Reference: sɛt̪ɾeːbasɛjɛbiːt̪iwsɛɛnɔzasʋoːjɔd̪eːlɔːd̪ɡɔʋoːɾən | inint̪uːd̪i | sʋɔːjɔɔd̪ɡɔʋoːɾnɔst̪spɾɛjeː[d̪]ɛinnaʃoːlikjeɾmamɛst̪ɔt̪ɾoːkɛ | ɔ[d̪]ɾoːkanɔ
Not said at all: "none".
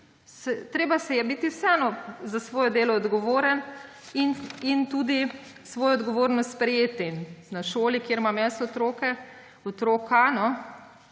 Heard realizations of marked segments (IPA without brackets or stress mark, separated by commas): t̪, t̪